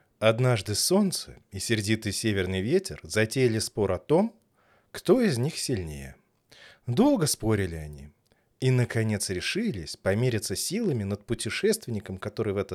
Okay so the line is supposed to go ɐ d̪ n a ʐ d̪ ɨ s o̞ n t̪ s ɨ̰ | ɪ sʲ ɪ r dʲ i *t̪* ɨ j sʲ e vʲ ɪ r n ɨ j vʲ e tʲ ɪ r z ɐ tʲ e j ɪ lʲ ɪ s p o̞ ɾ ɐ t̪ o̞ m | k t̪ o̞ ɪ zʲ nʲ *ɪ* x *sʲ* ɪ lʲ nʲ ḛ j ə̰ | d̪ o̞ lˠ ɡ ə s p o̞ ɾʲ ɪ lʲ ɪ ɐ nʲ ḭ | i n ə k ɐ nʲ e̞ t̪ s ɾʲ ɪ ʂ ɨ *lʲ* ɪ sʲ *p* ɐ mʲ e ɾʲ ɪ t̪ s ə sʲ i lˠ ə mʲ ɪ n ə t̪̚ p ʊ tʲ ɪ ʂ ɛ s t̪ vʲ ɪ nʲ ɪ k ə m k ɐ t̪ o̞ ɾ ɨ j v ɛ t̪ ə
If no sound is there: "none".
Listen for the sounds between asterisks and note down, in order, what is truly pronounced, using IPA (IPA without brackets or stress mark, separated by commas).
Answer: t̪, i, sʲ, lʲ, p